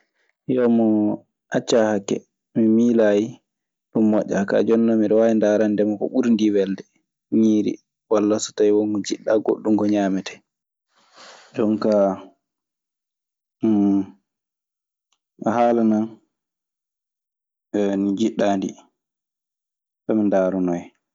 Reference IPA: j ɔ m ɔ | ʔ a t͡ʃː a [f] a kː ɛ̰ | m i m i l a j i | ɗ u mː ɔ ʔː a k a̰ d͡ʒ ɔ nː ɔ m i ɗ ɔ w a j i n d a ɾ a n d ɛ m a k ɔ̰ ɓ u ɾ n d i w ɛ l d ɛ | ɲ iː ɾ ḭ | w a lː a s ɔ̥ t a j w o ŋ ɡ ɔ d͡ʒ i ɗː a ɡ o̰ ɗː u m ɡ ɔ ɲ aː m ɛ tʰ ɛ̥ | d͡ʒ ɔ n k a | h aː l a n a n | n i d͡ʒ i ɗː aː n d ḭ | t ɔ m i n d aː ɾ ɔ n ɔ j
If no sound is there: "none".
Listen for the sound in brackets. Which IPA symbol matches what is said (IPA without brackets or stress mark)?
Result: h